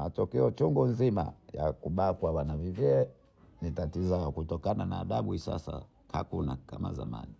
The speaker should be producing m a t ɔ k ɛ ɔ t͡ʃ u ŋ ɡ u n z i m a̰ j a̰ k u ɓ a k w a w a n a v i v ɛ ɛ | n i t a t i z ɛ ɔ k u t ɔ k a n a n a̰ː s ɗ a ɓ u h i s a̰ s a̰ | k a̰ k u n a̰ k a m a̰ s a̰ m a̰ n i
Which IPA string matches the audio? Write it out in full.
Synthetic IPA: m a t ɔ k ɛ ɔ t͡ʃ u ŋ ɡ u n z i m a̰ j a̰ k u ɓ a k w a w a n a v i v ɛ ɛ | n i t a t i z a ɔ k u t ɔ k a n a n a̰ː ɗ a ɓ u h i s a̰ s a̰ | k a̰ k u n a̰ k a m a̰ z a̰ m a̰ n i